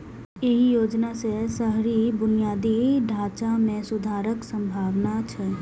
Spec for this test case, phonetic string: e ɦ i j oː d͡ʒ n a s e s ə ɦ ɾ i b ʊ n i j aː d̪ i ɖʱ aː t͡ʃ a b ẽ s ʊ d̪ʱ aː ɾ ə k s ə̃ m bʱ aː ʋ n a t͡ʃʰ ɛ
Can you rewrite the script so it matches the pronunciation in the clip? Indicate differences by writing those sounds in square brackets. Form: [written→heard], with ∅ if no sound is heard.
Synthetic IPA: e ɦ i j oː d͡ʒ n a s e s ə ɦ ɾ i b ʊ n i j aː d̪ i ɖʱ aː t͡ʃ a [b→m] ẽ s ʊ d̪ʱ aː ɾ ə k s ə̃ m bʱ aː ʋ n a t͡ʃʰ ɛ